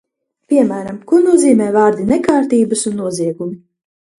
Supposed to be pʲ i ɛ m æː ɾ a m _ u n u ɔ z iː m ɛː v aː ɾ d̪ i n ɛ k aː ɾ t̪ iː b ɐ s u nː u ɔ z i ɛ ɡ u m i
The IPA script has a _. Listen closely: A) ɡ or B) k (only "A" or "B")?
B